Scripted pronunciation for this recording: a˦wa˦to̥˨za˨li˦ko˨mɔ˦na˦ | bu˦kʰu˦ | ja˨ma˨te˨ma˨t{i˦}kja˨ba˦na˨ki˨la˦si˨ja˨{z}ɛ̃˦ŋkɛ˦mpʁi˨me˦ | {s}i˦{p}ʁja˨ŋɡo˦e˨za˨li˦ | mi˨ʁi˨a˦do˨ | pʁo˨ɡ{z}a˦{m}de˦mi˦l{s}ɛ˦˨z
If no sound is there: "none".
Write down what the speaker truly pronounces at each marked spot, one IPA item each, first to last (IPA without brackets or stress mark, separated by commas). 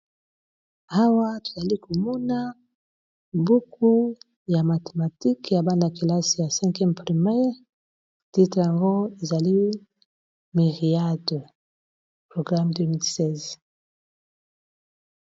i˦, s, t, t, ʁ, m, s